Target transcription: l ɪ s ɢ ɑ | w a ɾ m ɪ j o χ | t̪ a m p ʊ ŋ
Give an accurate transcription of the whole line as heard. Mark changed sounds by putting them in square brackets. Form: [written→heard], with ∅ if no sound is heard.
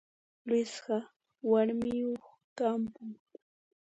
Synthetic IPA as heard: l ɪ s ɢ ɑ | w a ɾ m ɪ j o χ | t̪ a m p ʊ ŋ